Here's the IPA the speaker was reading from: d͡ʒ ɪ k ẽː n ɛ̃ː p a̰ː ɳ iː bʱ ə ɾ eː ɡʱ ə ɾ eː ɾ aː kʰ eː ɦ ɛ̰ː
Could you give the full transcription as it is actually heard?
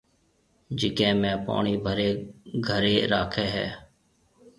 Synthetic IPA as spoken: d͡ʒ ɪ k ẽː m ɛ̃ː p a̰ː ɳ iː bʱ ə ɾ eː ɡʱ ə ɾ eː ɾ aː kʰ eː ɦ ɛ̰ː